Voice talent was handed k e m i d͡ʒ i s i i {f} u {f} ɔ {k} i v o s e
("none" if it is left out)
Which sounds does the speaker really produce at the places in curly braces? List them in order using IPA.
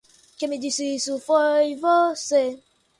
s, f, none

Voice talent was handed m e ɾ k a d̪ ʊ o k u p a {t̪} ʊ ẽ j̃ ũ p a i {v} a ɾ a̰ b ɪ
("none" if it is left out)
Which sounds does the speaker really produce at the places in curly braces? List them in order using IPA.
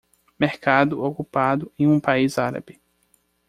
d̪, z

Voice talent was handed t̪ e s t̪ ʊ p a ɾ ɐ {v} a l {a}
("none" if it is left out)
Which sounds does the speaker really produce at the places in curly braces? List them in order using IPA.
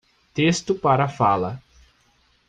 f, ɐ

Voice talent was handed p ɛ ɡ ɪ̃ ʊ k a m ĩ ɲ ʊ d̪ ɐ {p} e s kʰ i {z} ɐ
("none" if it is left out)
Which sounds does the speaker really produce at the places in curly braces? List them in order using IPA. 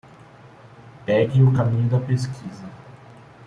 p, z

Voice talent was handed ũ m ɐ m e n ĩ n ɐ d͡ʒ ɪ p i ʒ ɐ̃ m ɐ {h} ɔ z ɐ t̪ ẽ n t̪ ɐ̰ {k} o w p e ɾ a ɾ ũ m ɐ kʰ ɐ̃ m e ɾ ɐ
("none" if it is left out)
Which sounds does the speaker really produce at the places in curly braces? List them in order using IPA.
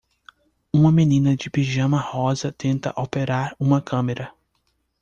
h, ʔ

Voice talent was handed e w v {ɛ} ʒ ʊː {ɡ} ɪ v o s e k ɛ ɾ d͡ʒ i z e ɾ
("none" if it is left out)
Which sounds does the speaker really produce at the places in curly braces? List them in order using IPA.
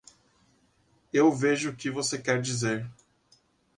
e, k

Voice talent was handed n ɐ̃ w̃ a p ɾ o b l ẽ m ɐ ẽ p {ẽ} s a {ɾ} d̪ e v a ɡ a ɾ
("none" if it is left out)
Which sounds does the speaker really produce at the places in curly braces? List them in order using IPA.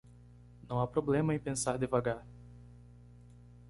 ẽ, ɾ

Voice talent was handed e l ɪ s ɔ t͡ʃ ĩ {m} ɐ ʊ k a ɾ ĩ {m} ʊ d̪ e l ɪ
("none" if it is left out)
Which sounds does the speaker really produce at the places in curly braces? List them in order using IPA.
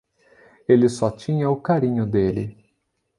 ɲ, ɲ

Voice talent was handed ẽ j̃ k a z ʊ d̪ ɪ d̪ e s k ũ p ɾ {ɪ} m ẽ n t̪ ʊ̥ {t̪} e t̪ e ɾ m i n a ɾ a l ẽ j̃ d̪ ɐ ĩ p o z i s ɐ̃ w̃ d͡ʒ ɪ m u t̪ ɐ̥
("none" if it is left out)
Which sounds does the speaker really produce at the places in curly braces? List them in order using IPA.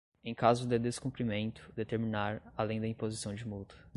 i, d̪

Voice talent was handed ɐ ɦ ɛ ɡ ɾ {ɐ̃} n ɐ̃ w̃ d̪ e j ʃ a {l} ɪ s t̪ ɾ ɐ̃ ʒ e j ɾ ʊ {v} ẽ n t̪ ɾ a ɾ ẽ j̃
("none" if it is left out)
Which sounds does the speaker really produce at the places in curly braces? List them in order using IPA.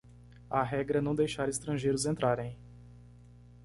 ɐ, ɾ, z

